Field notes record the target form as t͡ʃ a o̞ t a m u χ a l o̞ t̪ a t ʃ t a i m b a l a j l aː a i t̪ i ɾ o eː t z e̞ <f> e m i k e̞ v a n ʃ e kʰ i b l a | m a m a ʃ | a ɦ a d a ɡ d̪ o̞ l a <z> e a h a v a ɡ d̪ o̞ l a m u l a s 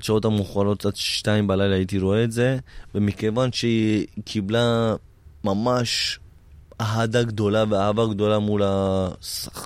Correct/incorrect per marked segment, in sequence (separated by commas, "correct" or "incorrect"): incorrect, incorrect